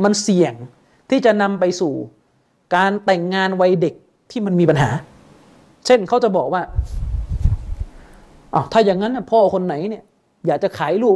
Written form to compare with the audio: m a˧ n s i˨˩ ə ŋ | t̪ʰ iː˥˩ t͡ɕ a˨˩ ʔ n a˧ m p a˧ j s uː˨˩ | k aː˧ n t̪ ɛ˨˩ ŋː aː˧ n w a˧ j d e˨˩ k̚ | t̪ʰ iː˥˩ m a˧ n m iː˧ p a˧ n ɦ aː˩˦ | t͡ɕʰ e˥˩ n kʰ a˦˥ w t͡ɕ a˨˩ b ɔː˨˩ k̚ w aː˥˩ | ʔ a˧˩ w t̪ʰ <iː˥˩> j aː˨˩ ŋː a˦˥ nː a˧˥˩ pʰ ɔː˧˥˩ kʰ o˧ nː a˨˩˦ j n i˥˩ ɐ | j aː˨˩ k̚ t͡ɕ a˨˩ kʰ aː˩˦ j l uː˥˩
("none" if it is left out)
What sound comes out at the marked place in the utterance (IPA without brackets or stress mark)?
aː˥˩